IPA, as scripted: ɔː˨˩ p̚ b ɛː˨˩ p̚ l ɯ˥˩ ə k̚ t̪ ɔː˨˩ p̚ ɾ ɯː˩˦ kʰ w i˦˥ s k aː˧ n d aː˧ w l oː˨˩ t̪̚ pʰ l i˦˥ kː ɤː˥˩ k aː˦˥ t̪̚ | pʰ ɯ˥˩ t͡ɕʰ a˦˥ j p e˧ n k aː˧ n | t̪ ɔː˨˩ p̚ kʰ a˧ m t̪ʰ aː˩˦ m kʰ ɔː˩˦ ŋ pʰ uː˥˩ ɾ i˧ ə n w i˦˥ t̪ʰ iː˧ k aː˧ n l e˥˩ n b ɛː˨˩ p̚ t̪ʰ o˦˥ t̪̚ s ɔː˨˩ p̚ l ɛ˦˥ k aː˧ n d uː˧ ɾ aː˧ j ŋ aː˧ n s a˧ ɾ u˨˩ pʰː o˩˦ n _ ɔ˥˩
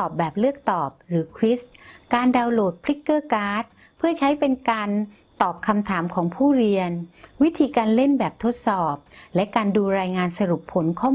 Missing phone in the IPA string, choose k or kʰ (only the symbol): kʰ